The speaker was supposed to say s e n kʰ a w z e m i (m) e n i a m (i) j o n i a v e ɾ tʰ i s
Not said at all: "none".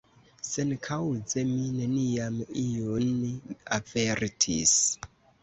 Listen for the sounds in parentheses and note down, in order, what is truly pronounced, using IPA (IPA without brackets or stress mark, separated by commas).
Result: n, i